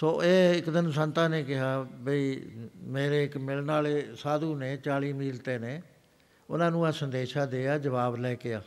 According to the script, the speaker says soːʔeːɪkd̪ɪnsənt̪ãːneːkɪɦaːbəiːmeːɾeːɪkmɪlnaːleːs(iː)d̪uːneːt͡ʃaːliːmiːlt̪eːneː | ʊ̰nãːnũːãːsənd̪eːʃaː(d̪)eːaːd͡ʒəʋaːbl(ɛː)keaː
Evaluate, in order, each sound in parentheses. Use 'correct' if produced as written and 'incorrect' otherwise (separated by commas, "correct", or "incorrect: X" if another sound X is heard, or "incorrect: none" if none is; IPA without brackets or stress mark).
incorrect: aː, correct, correct